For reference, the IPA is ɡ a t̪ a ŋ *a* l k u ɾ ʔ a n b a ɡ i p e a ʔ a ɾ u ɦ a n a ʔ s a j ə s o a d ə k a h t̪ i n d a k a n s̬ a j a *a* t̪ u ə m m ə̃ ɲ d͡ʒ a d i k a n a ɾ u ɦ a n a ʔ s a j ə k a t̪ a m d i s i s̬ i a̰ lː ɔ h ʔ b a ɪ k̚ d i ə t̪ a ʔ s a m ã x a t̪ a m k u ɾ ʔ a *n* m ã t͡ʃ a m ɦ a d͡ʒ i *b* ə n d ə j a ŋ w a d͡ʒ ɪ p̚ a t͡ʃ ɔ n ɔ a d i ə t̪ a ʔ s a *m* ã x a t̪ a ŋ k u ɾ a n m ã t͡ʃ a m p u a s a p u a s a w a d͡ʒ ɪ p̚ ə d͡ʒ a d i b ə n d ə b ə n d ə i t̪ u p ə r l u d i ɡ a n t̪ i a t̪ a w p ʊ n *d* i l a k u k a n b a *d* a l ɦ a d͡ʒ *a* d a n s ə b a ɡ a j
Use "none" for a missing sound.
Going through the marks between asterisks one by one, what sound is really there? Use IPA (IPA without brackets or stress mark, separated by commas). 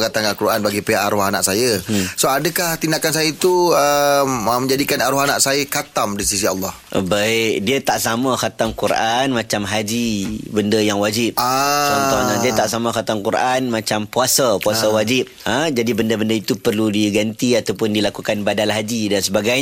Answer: a, i, n, b, m, d, d, i